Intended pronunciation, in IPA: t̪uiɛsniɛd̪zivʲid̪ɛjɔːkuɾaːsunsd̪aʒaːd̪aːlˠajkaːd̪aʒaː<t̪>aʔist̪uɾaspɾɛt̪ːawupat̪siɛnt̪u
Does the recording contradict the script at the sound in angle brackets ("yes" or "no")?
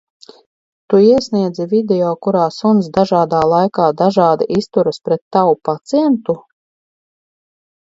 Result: yes